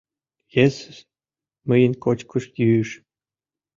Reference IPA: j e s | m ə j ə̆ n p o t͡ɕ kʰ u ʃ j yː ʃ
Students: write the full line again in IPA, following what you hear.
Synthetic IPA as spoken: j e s | m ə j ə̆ n k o t͡ɕ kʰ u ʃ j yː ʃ